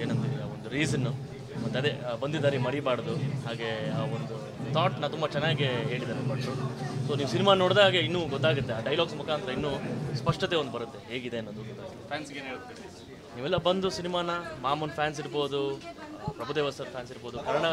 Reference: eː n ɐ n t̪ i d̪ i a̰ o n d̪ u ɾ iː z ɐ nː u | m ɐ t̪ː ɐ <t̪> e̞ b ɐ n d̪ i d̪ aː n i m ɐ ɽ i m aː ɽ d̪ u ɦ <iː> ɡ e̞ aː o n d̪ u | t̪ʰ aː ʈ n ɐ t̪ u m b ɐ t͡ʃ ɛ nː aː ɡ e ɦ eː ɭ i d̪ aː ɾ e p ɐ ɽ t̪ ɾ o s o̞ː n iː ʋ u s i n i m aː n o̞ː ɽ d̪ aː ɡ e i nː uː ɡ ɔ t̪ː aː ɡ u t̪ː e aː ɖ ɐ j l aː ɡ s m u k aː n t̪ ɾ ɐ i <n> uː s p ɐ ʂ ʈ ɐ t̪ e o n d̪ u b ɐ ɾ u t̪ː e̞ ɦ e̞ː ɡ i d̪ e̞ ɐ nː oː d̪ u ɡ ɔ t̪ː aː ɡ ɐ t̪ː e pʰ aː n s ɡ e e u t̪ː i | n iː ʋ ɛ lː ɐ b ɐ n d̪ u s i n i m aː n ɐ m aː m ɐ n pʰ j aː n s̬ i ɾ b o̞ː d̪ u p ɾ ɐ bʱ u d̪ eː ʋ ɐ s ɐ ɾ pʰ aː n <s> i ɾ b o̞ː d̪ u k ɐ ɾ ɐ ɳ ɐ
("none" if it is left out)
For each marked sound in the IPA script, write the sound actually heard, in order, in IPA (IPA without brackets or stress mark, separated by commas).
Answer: d̪, aː, nː, s